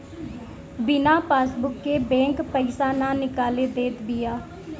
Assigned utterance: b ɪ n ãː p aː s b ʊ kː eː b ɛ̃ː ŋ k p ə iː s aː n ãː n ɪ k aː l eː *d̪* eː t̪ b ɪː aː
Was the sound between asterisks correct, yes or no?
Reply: yes